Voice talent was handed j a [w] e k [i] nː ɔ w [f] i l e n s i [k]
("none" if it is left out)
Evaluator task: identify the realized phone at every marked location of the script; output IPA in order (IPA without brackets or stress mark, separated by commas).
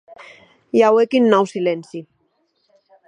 w, i, s, none